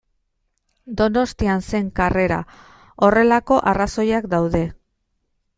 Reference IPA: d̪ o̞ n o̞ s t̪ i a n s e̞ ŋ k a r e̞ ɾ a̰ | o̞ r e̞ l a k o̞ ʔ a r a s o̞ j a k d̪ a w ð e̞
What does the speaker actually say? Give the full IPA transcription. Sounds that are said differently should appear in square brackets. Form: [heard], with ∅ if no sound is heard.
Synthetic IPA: d̪ o̞ n o̞ s t̪ i a n s e̞ ŋ k a r e̞ ɾ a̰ | o̞ r e̞ l a k o̞ ʔ a r a s o̞ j a k d̪ a w ð e̞